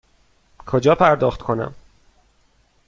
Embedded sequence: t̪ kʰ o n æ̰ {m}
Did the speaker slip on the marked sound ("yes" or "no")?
no